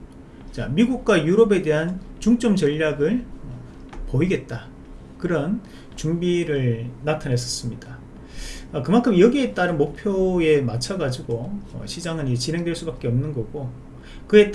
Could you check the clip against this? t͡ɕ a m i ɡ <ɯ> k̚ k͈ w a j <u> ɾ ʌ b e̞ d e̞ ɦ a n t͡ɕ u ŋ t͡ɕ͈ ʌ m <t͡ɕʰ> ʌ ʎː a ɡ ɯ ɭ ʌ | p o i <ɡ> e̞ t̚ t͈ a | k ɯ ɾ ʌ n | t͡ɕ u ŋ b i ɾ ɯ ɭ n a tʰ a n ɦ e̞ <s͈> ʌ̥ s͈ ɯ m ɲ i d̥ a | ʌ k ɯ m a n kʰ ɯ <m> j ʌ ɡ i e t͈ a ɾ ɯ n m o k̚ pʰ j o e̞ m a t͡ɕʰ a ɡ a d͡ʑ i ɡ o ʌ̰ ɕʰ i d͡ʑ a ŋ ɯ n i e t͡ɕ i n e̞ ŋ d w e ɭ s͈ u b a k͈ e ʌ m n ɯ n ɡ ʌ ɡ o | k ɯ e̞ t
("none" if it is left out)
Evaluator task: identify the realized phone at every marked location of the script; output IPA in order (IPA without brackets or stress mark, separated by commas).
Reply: u, u, t͡ɕ, ɡ, s͈, m